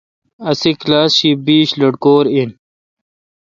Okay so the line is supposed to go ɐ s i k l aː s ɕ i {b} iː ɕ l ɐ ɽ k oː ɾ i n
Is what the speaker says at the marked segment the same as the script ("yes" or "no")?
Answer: yes